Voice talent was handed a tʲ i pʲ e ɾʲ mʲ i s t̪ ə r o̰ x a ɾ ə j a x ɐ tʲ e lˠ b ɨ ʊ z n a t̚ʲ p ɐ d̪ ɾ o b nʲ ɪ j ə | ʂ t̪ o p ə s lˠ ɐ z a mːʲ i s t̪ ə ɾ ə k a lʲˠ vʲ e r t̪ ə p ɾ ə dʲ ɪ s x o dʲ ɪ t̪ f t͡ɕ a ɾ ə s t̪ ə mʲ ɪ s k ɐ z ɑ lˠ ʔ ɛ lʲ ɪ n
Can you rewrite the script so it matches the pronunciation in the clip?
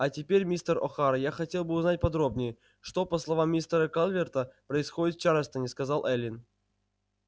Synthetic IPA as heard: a tʲ ɪ pʲ e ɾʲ mʲ i s t̪ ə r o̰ x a ɾ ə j a x ɐ tʲ e lˠ b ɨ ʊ z n a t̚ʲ p ɐ d̪ ɾ o b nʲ ɪ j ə | ʂ t̪ o p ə s lˠ ɐ v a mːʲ i s t̪ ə ɾ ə k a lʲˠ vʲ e r t̪ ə p ɾ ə ɪ s x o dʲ ɪ t̪ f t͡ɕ a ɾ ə s t̪ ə nʲ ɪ s k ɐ z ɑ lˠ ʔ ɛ lʲ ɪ n